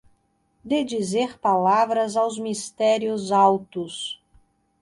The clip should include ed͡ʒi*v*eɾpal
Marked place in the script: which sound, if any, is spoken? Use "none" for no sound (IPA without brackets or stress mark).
z